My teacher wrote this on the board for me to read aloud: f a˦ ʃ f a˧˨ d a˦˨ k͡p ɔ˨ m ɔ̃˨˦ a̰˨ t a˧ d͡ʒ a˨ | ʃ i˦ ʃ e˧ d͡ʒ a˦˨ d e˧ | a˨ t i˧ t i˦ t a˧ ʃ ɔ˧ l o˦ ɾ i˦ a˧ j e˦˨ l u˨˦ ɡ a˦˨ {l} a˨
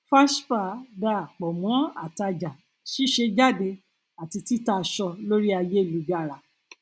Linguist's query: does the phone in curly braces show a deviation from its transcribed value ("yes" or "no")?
yes